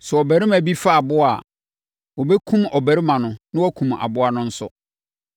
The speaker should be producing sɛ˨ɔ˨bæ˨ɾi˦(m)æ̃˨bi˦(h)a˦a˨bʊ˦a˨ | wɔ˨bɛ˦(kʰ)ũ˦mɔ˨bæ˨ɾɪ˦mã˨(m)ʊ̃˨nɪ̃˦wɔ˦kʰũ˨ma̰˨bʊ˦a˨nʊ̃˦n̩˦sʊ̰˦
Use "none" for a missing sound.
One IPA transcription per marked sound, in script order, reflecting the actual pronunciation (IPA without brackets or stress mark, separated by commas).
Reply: m, f, kʰ, n